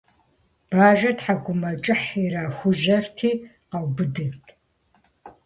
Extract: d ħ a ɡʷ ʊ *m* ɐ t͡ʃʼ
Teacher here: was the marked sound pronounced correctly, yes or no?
yes